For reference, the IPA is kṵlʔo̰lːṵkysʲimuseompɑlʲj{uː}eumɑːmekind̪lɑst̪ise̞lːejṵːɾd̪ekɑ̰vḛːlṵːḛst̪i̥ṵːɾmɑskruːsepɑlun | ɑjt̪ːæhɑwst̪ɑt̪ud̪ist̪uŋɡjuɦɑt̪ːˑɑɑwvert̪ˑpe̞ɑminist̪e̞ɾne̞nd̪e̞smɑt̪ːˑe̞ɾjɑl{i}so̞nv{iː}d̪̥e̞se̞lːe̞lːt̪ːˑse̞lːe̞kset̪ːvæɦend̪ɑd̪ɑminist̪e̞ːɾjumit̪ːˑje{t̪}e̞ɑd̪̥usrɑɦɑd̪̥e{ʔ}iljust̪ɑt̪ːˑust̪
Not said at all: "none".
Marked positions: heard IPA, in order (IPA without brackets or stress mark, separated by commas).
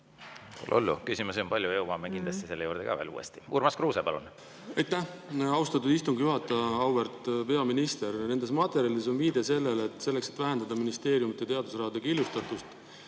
u, i, iː, t̪, k